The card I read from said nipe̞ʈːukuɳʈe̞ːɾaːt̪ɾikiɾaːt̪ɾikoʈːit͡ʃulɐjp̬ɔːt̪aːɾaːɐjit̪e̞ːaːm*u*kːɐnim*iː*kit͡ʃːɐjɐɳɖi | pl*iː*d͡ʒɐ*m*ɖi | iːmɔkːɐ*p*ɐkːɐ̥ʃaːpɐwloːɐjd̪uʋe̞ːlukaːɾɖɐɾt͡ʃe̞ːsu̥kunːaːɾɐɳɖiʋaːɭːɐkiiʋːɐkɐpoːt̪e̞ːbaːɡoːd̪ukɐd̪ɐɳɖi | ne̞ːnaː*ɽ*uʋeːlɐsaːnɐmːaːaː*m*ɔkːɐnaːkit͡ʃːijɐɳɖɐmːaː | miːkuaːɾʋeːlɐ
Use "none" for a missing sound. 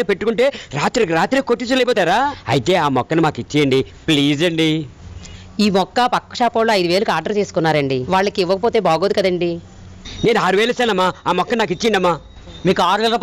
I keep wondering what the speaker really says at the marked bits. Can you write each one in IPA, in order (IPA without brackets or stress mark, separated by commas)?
ɔ, aː, iː, ɳ, p, ɾ, m